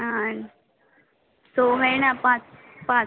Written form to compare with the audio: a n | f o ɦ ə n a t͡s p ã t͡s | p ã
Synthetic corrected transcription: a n | s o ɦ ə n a p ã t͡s | p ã